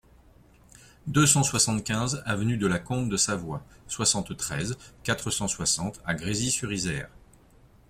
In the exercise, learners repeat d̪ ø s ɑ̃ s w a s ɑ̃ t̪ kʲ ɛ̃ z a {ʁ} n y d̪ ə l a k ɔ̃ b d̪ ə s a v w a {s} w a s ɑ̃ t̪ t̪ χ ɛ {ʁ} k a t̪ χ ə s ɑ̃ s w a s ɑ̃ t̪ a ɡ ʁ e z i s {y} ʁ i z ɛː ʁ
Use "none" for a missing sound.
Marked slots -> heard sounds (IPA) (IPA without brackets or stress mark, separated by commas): v, s, z, y